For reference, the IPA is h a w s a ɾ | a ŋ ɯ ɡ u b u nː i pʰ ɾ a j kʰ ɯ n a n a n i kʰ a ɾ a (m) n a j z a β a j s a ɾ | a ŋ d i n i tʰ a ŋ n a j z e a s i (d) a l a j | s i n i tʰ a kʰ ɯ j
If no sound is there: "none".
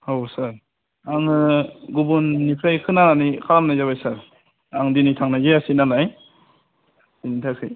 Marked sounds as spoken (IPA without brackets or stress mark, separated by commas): m, n